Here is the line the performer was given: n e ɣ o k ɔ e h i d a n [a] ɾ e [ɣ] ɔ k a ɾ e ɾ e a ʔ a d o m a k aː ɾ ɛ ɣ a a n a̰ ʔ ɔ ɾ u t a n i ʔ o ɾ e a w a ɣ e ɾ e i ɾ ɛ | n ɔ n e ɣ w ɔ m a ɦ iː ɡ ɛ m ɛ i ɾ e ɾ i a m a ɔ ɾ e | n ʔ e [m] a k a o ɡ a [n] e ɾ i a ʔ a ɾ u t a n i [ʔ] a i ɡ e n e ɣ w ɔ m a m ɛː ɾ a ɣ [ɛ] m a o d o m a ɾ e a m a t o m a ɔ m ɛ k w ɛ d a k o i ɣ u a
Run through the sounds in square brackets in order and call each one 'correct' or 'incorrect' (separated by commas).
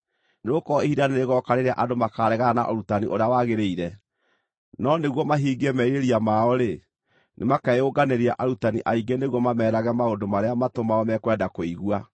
incorrect, correct, correct, correct, correct, correct